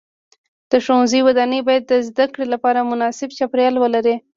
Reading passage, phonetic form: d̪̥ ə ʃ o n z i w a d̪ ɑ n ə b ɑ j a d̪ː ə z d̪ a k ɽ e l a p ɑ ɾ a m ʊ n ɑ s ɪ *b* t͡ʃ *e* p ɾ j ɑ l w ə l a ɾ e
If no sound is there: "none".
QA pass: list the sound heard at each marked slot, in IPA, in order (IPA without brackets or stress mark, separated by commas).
b, a